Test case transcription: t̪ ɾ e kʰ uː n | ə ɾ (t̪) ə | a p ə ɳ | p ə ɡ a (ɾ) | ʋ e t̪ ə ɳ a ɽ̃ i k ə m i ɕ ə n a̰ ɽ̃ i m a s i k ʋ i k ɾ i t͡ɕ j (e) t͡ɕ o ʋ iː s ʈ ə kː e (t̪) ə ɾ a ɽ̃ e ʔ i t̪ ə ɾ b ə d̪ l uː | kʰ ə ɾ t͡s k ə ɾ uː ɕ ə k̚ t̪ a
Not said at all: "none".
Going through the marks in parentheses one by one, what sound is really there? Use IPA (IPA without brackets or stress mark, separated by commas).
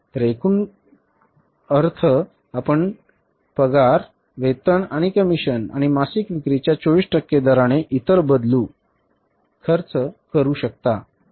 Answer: t̪ʰ, ɾ, a, d̪